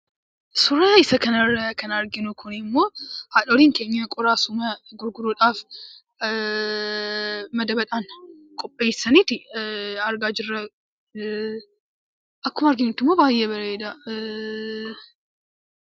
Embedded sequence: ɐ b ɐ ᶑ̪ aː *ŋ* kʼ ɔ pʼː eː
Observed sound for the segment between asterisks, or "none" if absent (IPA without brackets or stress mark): n